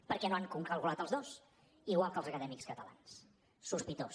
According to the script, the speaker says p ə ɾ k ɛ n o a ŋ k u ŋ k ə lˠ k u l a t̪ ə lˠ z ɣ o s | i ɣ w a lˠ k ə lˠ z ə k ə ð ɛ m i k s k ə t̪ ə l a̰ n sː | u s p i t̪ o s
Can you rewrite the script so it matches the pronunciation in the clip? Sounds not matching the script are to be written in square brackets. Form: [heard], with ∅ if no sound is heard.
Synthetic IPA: p ə ɾ k ɛ n o a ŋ k u ŋ k ə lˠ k u l a t̪ ə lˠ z [ð] o s | i ɣ w a lˠ k ə lˠ z ə k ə ð ɛ m i k s k ə t̪ ə l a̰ n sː | u s p i t̪ o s